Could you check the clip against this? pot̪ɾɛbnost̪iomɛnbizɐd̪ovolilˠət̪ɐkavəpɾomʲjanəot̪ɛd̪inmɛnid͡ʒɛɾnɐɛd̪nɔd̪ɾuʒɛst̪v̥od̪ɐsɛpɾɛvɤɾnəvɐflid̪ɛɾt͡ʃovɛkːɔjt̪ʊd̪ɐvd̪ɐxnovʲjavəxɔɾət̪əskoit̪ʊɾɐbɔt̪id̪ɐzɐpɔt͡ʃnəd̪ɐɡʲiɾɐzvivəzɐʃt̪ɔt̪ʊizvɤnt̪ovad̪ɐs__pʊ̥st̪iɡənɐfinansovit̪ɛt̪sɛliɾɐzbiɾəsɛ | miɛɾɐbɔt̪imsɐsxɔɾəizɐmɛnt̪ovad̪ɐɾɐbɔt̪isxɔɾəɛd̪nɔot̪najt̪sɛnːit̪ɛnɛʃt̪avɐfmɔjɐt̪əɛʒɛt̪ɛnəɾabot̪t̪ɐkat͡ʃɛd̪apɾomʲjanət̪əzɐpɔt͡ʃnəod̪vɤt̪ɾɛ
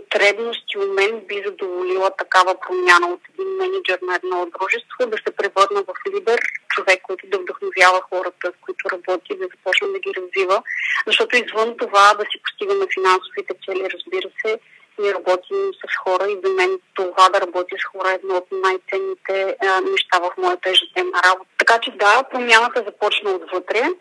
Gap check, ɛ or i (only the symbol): i